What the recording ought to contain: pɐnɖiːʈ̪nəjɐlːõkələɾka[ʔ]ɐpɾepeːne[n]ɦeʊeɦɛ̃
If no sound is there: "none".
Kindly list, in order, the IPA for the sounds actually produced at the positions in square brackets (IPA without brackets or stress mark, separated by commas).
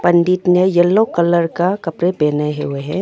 k, none